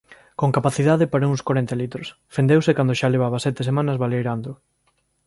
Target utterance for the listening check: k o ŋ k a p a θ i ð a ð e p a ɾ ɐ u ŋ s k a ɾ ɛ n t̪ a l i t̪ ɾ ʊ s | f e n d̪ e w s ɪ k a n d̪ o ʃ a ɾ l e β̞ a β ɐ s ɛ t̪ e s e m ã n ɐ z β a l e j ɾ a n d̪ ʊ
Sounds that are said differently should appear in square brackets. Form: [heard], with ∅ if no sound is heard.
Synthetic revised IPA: k o ŋ k a p a θ i ð a ð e p a ɾ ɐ u ŋ s k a ɾ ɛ n t̪ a l i t̪ ɾ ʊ s | f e n d̪ e w s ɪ k a n d̪ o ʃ a [∅] l e β̞ a β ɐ s ɛ t̪ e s e m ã n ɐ z β a l e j ɾ a n d̪ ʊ